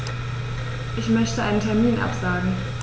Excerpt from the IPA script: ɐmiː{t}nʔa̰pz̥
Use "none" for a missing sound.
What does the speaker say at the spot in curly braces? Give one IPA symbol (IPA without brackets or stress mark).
none